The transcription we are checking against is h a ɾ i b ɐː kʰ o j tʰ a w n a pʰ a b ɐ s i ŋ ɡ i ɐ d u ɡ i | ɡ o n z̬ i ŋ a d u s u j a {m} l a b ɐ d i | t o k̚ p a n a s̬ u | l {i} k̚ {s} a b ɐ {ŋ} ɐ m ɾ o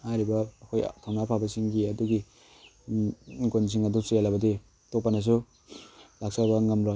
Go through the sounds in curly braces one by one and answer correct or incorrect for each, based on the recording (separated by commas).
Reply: incorrect, incorrect, correct, correct